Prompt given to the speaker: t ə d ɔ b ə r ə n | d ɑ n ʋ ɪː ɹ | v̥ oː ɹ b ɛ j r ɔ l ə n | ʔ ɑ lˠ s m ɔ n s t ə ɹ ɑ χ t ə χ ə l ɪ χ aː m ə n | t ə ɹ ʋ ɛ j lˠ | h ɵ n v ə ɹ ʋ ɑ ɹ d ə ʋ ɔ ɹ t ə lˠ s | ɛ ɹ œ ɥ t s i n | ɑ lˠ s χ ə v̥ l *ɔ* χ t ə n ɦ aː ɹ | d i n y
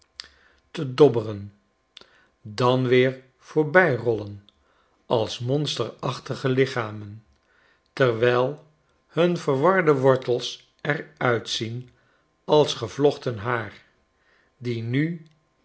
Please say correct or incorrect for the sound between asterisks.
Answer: correct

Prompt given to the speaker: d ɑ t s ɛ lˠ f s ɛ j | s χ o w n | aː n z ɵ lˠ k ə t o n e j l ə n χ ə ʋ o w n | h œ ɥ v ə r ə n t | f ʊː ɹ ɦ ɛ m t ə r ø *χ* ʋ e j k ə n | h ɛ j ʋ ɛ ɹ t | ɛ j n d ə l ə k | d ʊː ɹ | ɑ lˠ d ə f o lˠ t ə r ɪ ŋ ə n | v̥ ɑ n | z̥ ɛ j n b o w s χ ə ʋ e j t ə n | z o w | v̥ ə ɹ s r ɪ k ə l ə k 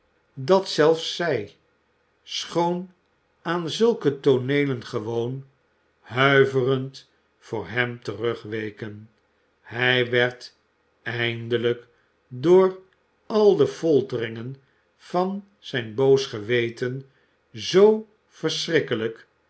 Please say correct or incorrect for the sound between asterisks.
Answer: correct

